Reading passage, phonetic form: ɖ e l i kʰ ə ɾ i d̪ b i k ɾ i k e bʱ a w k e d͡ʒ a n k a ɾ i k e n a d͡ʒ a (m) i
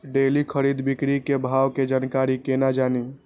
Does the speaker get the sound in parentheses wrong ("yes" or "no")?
yes